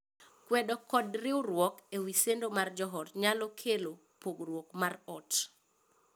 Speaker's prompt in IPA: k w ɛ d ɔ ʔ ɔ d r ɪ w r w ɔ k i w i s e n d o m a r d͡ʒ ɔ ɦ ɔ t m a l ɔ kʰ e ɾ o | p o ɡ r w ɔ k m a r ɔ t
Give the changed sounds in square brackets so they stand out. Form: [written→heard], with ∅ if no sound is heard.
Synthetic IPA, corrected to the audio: k w ɛ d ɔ [ʔ→k] ɔ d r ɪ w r w ɔ k [i→e] w i s e n d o m a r d͡ʒ ɔ ɦ ɔ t [m→ɲ] a l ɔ kʰ e [ɾ→l] o | p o ɡ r w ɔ k m a r ɔ t